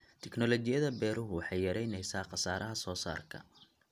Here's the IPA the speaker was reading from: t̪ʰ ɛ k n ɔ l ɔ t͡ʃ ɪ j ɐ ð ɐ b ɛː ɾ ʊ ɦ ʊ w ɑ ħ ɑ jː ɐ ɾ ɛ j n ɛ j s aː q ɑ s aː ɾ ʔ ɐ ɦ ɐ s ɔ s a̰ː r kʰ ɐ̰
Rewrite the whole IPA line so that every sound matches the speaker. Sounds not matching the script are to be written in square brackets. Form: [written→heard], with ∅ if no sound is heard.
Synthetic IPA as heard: t̪ʰ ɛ k n ɔ l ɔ t͡ʃ ɪ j ɐ ð ɐ b ɛː ɾ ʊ ɦ ʊ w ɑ ħ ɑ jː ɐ ɾ ɛ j n ɛ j s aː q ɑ s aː ɾ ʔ ɐ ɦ ɐ s [ɔ→ɔː] s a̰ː r kʰ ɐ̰